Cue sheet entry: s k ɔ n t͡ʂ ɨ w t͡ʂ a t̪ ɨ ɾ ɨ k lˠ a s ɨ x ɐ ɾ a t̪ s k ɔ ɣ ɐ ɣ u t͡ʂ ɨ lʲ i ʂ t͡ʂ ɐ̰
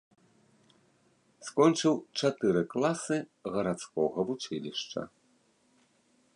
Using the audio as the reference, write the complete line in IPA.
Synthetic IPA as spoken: s k ɔ n t͡ʂ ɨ w t͡ʂ a t̪ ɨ ɾ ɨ k lˠ a s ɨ ɣ ɐ ɾ a t̪ s k ɔ ɣ ɐ v u t͡ʂ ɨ lʲ i ʂ t͡ʂ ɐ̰